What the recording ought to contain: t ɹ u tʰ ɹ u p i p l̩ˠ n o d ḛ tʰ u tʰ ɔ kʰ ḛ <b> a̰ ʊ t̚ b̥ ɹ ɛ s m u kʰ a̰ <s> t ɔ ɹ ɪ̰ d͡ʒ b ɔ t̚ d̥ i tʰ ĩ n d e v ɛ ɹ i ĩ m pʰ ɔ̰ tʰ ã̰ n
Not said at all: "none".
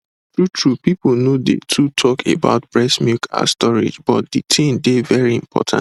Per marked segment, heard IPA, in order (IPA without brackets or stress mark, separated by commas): b, s